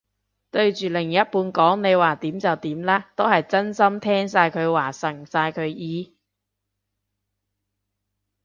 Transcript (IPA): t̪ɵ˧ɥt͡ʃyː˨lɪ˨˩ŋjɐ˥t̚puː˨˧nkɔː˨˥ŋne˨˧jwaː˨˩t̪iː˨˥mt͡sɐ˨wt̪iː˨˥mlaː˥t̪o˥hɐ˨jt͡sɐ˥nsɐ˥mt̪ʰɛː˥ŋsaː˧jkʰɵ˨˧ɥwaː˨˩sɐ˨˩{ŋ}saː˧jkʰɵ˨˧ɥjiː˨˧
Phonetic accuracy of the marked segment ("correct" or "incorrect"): correct